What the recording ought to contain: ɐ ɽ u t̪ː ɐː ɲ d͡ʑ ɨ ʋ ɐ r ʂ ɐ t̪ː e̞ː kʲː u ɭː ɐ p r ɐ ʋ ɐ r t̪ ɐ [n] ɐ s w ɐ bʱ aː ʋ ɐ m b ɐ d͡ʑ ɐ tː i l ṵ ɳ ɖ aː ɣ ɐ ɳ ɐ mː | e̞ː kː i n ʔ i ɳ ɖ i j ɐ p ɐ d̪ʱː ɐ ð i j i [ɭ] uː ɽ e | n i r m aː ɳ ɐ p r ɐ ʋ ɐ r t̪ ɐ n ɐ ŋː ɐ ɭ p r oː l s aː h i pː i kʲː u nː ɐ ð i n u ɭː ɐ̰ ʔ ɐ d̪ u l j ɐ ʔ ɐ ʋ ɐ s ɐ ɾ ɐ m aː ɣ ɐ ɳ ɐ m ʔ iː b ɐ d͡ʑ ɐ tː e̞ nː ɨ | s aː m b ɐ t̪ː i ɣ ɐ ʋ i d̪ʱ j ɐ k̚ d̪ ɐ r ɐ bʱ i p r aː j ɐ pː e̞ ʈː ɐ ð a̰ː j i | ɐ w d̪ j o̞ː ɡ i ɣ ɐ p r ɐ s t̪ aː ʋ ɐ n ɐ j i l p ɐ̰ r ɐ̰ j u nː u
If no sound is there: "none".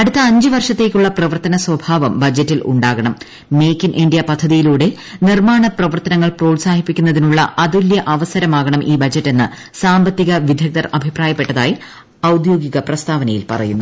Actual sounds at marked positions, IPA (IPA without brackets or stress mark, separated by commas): n, l